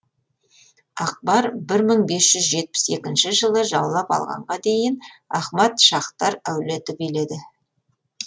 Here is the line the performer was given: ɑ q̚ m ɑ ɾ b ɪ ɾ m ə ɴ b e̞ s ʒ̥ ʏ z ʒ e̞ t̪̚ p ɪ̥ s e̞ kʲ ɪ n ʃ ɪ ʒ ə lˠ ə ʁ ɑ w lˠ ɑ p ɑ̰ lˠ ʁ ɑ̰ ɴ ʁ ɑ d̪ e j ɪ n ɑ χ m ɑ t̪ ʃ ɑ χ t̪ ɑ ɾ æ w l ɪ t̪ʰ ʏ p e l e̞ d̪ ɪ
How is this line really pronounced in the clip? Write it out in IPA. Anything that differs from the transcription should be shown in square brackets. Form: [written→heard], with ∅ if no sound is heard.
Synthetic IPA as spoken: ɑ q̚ [m→b] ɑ ɾ b ɪ ɾ m ə ɴ b e̞ s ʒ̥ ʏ z ʒ e̞ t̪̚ p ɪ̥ s e̞ kʲ ɪ n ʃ ɪ ʒ ə lˠ ə [ʁ→ʒ] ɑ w lˠ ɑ p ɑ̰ lˠ ʁ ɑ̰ ɴ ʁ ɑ d̪ e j ɪ n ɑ χ m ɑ t̪ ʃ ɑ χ t̪ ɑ ɾ æ w l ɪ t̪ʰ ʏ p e l e̞ d̪ ɪ